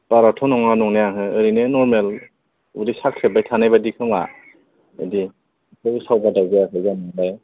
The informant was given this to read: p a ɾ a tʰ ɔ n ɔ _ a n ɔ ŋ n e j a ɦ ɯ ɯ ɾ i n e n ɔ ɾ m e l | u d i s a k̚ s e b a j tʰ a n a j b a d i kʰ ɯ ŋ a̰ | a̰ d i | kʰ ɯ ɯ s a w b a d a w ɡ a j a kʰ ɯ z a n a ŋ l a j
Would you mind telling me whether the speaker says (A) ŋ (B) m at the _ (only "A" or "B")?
A